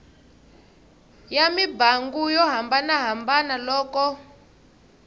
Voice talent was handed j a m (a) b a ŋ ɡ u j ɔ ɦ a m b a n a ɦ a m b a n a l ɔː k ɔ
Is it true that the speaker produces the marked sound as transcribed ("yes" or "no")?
no